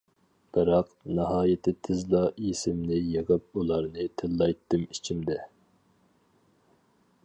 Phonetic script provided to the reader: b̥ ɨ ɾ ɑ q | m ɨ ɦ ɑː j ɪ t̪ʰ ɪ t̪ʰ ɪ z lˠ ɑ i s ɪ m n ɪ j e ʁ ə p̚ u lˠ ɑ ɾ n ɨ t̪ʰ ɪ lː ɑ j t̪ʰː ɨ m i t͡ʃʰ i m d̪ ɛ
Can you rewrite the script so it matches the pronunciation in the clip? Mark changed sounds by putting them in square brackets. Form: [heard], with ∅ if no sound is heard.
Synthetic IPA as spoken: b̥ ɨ ɾ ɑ q | [n] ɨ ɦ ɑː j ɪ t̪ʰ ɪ t̪ʰ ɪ z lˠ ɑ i s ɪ m n ɪ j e ʁ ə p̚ u lˠ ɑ ɾ n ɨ t̪ʰ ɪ lː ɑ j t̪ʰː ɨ m i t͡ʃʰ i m d̪ ɛ

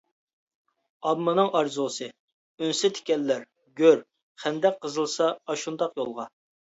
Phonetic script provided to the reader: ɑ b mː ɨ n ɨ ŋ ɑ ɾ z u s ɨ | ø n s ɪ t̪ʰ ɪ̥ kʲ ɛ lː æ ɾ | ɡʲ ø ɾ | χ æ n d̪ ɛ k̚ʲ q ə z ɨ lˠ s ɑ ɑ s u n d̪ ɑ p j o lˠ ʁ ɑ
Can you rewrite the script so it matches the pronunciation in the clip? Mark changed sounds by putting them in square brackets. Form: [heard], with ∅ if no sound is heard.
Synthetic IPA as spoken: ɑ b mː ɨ n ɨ ŋ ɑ ɾ z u s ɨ | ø n s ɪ t̪ʰ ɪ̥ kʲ ɛ lː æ ɾ | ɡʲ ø ɾ | χ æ n d̪ ɛ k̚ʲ q ə z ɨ lˠ s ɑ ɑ [ʃ] u n d̪ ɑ [q] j o lˠ ʁ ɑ

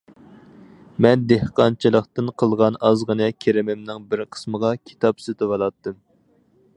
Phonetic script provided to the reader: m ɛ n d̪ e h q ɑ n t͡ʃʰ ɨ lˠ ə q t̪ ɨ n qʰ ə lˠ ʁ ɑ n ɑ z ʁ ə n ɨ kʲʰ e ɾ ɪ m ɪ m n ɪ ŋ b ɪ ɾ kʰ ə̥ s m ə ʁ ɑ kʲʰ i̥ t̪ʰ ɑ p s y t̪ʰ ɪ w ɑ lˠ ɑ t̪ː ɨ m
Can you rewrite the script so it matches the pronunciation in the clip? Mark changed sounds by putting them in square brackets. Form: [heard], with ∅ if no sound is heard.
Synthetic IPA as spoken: m ɛ n d̪ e h q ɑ n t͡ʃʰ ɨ lˠ ə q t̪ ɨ n qʰ ə lˠ ʁ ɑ n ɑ z ʁ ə n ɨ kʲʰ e ɾ ɪ m ɪ m n ɪ ŋ b ɪ ɾ [qʰ] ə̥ s m ə ʁ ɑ kʲʰ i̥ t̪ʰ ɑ p s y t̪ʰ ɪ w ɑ lˠ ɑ t̪ː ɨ m

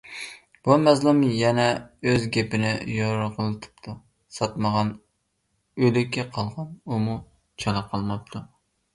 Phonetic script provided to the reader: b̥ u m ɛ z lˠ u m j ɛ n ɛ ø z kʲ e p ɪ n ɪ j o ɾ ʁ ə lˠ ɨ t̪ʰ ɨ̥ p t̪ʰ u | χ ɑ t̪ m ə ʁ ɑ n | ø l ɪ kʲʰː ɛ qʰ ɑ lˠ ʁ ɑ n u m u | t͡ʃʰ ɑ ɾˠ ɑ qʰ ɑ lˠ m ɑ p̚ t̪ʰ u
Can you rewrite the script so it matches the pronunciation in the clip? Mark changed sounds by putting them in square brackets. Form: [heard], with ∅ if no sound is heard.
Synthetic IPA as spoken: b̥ u m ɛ z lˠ u m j ɛ n ɛ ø z [ɡʲ] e p ɪ n ɪ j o ɾ ʁ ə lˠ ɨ t̪ʰ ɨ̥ p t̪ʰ u | [s] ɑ t̪ m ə ʁ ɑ n | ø l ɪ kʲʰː ɛ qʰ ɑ lˠ ʁ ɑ n u m u | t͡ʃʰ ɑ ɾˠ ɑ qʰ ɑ lˠ m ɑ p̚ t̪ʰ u

